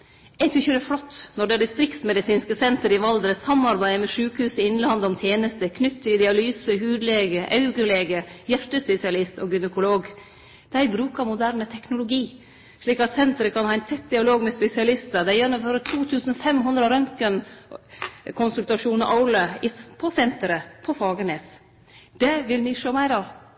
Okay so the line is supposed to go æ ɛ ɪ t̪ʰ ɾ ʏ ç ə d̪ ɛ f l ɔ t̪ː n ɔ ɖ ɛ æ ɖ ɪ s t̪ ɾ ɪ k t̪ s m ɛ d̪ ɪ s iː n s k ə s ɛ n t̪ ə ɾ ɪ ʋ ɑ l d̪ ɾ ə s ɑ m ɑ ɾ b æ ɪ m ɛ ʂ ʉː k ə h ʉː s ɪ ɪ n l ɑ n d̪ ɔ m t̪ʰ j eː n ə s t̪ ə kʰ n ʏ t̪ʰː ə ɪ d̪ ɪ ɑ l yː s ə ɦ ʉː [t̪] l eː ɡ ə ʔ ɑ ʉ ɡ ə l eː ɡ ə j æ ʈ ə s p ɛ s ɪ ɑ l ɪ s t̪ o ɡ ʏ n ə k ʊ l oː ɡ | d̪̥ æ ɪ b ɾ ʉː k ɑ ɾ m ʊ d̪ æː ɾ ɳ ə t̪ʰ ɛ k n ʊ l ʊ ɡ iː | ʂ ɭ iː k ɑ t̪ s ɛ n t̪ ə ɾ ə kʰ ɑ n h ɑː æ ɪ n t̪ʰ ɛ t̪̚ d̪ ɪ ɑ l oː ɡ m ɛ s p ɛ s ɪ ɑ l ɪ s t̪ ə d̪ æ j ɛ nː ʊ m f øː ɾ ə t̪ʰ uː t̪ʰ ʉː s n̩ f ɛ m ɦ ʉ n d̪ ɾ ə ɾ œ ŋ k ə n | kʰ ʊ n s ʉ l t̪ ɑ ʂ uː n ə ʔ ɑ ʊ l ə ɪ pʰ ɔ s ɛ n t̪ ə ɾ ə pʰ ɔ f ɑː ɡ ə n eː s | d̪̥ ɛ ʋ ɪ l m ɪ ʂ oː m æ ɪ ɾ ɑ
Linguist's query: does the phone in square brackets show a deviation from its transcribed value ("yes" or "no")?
yes